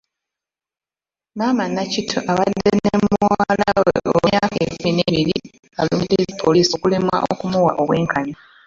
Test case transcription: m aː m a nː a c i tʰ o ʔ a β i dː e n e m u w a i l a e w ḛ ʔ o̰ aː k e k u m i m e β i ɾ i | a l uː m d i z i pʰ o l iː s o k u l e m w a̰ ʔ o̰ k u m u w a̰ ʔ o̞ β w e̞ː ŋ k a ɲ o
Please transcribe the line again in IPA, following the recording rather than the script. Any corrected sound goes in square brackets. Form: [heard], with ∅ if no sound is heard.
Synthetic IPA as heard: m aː m a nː a c i tʰ o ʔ a β [a] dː e n e m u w a [a] l a [a] w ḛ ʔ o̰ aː k e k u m i [n] e β i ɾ i | a l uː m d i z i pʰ o l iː s o k u l e m w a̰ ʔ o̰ k u m u w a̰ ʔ o̞ β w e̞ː ŋ k a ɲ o